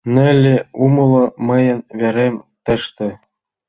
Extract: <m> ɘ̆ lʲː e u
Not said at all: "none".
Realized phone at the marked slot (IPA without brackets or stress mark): n